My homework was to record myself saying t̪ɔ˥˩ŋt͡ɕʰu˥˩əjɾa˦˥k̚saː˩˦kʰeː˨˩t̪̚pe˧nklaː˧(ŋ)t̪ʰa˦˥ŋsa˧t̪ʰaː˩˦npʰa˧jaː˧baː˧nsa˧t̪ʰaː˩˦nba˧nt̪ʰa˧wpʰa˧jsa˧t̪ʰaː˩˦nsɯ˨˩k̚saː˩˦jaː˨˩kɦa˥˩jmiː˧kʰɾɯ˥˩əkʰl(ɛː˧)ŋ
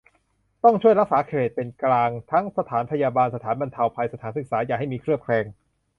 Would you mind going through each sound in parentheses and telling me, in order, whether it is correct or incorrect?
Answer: correct, correct

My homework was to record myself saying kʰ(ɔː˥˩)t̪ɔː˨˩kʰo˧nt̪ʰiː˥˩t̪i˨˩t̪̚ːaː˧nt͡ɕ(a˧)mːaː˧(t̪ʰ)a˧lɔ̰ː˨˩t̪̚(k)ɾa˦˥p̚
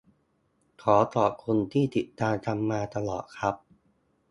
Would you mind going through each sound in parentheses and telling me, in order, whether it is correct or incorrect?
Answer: incorrect, correct, incorrect, incorrect

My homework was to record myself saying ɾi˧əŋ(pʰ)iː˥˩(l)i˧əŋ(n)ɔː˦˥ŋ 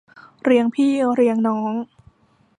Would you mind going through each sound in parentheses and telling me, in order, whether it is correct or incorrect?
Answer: correct, incorrect, correct

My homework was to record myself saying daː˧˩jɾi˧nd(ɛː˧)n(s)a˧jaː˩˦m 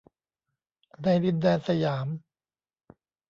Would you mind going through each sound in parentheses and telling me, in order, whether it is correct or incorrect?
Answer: correct, correct

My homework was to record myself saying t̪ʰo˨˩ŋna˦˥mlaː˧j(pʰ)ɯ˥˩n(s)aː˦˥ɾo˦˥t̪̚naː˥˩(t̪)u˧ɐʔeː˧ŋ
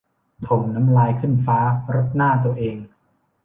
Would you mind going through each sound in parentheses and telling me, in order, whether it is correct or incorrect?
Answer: incorrect, incorrect, correct

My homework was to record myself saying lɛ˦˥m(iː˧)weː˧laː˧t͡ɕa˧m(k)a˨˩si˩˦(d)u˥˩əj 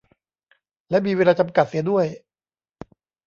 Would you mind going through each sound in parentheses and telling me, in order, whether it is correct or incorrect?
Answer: correct, correct, correct

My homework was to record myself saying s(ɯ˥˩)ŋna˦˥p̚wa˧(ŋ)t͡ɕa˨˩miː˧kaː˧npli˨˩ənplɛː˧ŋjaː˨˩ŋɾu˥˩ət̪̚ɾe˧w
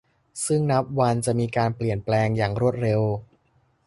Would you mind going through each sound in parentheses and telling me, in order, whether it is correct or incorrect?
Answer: correct, incorrect

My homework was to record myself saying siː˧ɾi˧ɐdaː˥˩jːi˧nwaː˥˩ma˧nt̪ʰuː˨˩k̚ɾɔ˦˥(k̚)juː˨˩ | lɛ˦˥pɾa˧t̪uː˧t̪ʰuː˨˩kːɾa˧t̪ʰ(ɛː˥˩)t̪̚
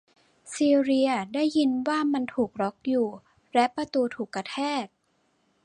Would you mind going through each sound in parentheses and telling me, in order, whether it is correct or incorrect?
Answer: correct, correct

